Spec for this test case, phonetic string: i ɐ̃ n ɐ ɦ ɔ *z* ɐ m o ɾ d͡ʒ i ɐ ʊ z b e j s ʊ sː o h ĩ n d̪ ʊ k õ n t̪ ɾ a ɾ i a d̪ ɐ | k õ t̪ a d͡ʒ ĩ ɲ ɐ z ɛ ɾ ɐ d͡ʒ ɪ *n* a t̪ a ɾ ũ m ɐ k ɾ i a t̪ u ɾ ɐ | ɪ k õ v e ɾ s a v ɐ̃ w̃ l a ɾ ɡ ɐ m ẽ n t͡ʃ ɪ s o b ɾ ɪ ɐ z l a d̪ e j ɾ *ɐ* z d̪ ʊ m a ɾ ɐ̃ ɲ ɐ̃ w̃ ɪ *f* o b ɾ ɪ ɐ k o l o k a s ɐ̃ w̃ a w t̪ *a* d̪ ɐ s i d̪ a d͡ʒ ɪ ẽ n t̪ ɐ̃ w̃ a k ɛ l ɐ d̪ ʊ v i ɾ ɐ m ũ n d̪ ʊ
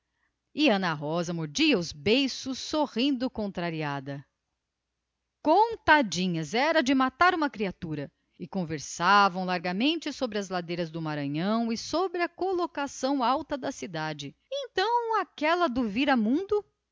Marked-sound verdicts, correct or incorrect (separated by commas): correct, incorrect, correct, incorrect, incorrect